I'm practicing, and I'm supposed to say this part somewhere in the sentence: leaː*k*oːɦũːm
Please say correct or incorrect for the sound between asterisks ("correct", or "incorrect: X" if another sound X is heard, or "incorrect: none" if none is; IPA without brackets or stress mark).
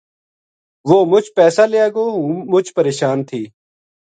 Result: incorrect: ɡ